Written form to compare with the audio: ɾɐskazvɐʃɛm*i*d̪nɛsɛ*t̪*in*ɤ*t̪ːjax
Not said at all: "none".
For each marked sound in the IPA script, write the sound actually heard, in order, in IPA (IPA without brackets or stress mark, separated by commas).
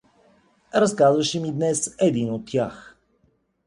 i, d̪, o